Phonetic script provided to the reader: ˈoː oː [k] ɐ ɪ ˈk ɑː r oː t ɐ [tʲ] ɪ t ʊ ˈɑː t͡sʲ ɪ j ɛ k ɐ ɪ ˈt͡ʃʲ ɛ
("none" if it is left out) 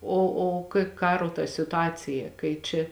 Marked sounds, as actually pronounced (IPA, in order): k, sʲ

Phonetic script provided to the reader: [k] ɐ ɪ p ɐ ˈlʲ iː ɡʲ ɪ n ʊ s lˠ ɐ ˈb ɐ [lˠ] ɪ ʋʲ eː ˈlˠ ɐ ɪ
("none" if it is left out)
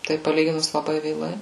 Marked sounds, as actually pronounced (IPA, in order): t, none

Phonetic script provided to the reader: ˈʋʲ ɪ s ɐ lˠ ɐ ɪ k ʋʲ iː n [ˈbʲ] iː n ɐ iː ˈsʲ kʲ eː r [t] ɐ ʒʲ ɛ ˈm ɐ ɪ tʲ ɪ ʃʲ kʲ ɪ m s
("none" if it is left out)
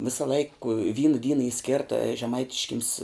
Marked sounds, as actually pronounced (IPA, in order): dʲ, t

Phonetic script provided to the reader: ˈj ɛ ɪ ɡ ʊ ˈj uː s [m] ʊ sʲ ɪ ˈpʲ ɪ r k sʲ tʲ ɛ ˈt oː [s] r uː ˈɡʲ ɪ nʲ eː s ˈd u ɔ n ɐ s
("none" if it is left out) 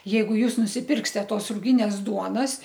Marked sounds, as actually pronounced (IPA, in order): n, s

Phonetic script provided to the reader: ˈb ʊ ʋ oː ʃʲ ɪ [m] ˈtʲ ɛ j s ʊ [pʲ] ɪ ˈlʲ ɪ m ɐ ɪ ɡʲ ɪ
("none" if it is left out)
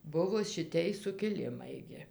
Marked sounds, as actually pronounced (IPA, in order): none, kʲ

